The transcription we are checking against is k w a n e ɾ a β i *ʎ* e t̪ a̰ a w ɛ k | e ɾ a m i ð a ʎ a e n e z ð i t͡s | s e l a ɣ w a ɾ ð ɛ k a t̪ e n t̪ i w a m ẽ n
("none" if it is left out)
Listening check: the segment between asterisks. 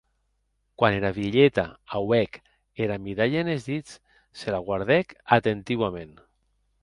ʎ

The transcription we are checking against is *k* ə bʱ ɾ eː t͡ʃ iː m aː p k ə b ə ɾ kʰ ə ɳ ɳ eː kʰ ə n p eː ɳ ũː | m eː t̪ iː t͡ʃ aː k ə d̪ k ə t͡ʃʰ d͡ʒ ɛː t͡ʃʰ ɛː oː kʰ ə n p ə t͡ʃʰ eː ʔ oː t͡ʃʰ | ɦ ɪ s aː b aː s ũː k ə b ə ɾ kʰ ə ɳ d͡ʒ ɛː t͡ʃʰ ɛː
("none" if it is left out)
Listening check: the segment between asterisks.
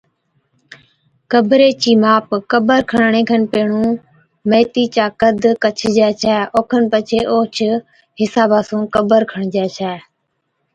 k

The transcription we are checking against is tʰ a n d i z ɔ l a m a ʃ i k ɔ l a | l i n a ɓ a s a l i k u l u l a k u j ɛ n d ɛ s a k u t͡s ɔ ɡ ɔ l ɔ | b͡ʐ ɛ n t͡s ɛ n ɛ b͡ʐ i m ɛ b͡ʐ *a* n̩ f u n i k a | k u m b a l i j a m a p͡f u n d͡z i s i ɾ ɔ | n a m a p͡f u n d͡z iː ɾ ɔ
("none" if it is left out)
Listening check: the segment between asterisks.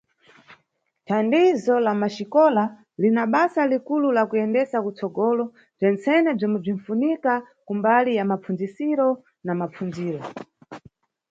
i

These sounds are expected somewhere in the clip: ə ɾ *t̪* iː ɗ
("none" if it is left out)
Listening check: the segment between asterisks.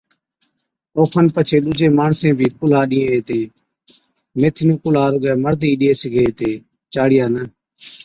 d̪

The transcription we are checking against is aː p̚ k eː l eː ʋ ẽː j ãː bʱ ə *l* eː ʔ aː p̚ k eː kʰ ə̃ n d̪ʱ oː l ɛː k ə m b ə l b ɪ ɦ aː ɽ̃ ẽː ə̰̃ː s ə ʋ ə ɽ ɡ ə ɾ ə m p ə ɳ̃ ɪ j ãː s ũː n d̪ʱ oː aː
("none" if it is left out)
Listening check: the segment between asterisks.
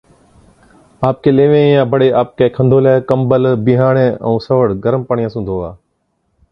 ɽ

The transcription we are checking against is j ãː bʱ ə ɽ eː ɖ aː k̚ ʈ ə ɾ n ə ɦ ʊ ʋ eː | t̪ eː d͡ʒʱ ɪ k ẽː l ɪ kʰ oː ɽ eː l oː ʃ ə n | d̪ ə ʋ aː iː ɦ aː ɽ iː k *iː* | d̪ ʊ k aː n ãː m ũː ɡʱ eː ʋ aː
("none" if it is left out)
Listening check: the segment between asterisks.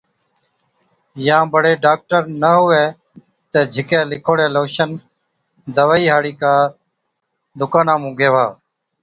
aː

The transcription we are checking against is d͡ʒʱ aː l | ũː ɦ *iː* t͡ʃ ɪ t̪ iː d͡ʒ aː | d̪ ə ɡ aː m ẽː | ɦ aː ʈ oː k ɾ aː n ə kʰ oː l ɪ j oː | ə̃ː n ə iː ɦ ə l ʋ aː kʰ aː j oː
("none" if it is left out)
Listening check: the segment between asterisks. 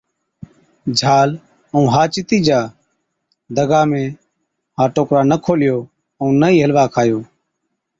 aː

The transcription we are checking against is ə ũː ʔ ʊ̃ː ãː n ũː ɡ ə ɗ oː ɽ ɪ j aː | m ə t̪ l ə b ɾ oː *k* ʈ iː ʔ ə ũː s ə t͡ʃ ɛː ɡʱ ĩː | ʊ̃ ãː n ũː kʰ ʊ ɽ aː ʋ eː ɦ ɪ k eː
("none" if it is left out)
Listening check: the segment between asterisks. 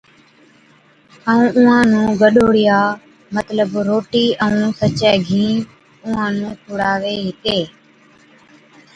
none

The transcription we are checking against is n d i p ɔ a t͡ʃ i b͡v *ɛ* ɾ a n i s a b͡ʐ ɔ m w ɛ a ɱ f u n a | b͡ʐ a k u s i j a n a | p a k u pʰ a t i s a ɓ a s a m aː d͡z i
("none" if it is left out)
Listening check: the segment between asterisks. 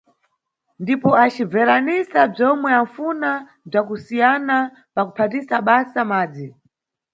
ɛ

